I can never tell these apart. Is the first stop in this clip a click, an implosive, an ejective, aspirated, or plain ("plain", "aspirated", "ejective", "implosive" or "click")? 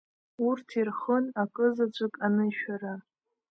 aspirated